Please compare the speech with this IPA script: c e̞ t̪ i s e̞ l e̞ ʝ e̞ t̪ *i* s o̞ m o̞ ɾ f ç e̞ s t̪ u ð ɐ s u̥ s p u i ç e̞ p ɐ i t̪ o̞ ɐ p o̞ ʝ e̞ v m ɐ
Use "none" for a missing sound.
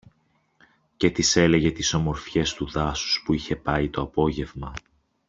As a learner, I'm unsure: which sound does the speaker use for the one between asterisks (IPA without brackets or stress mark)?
i